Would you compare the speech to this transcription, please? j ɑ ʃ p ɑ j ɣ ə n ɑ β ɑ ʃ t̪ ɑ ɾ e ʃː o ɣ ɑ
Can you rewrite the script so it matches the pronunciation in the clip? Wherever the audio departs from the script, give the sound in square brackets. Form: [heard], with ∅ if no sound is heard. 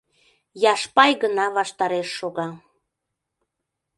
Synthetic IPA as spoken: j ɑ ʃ p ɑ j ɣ ə n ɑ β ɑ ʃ t̪ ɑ ɾ e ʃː o ɣ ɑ